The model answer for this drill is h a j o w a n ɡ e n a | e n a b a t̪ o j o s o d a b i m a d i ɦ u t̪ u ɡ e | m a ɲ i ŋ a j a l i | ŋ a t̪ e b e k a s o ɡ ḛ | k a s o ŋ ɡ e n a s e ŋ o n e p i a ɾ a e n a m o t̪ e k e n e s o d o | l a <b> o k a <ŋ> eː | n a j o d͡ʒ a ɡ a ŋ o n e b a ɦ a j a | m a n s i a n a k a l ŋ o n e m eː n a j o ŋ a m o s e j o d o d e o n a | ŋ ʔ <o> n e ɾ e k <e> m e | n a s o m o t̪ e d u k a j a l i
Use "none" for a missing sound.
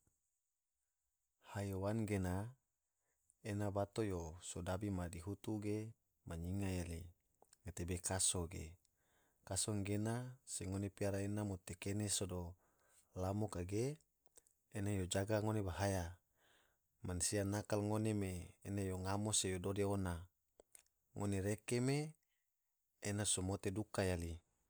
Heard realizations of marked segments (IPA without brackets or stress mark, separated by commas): m, ɡ, o, e